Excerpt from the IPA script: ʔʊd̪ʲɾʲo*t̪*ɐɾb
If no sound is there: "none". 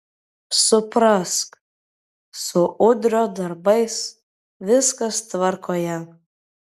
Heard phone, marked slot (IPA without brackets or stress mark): d̪